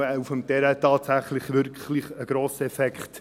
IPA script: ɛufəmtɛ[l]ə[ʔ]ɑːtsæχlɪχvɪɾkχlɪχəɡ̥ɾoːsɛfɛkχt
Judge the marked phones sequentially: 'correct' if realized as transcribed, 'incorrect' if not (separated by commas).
incorrect, incorrect